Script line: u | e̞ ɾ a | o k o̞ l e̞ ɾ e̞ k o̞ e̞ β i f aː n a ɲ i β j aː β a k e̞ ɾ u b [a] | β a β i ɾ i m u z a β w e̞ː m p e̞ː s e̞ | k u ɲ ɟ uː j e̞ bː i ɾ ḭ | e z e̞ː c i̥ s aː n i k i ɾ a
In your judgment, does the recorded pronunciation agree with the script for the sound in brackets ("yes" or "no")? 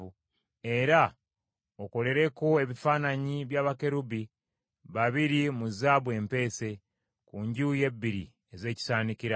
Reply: no